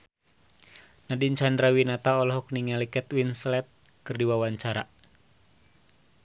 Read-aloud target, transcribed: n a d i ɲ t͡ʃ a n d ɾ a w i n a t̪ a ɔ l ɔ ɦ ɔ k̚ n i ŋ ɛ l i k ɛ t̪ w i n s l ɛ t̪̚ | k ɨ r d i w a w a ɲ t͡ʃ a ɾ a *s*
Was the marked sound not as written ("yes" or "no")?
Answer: yes